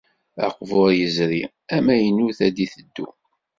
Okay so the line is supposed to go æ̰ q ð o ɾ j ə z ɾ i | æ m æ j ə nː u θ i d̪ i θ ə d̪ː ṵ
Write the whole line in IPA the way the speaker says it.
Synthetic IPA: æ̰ q v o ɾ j ə z ɾ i | æ m æ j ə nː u θ æ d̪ i θ ə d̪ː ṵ